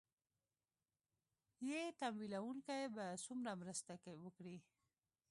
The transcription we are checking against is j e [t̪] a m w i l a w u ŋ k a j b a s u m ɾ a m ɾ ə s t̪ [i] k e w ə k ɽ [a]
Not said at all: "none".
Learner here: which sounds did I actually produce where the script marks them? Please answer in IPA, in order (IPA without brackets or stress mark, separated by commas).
t̪, a, i